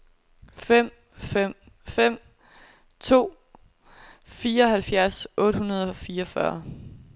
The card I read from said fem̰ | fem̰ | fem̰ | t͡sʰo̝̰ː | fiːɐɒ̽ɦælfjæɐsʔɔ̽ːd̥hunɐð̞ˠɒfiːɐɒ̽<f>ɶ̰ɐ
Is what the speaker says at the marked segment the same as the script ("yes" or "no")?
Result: yes